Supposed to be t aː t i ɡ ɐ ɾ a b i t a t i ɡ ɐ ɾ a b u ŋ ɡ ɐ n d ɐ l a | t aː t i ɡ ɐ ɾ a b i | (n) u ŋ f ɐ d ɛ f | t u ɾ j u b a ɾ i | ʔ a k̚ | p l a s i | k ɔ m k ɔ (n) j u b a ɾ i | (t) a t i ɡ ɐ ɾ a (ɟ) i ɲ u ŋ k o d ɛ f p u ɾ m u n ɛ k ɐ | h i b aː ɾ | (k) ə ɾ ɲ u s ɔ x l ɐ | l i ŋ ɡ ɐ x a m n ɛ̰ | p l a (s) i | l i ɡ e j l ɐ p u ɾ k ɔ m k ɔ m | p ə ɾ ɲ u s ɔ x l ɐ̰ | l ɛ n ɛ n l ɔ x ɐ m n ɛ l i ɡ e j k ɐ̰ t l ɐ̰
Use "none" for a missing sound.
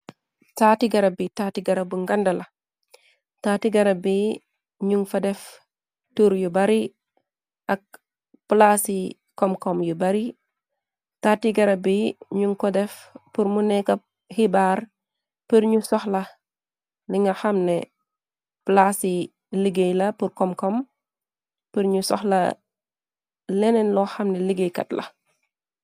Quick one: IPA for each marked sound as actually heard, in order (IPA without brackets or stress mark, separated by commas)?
ɲ, m, t, b, p, s